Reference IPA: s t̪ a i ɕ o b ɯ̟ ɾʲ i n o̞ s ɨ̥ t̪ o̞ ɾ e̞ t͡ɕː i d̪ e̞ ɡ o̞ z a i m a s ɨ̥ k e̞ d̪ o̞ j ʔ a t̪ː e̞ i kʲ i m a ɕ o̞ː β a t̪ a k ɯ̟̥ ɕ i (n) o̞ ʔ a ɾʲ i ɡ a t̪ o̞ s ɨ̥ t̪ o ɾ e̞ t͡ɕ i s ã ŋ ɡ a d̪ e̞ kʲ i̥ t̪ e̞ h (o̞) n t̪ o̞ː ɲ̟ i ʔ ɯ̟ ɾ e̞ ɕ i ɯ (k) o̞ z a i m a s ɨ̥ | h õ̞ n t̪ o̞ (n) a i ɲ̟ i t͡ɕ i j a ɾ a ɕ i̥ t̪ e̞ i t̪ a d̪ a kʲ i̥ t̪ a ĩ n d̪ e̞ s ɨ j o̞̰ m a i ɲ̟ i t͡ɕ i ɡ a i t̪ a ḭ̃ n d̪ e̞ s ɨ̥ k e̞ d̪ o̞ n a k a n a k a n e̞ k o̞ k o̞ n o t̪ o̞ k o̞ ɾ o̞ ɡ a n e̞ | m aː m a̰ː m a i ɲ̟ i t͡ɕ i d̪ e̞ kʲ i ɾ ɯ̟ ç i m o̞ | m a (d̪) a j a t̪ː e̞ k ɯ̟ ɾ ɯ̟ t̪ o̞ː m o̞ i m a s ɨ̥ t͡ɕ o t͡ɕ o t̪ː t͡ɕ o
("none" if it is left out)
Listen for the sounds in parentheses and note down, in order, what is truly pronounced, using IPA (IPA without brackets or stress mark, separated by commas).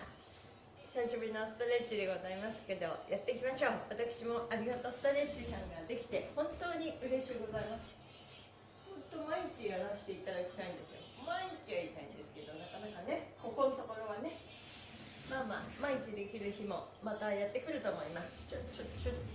m, õ̞, ɡ, m, t̪